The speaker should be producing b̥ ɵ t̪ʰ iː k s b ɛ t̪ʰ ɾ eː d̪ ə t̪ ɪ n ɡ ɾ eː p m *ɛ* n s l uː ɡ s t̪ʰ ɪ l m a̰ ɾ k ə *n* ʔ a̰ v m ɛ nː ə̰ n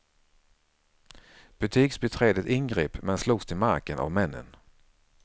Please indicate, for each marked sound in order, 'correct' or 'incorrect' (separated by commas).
correct, correct